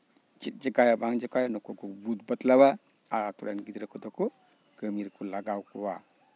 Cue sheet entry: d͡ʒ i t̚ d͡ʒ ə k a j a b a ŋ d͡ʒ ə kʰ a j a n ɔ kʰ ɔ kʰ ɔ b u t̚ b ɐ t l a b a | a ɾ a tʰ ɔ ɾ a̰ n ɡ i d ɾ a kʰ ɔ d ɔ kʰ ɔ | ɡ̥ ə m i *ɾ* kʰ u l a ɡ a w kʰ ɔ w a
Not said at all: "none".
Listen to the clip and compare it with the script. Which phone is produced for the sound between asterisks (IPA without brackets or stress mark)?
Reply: ɾ